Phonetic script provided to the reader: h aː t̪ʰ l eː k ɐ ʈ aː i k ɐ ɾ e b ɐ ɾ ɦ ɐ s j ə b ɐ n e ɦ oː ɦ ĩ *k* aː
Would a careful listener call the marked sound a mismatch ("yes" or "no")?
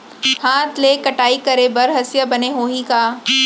no